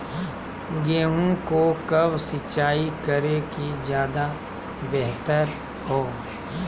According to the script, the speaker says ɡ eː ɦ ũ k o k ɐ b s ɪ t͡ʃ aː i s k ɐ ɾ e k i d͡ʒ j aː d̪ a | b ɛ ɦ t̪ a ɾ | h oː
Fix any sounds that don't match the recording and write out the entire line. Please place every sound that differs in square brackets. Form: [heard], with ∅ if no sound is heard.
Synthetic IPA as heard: ɡ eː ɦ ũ k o k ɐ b s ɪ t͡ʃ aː i [∅] k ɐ ɾ e k i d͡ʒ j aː d̪ a | b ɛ ɦ t̪ [ə] ɾ | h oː